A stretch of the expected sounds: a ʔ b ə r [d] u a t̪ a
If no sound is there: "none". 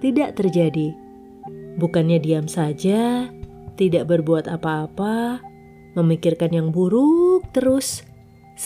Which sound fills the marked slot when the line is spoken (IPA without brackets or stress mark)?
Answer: b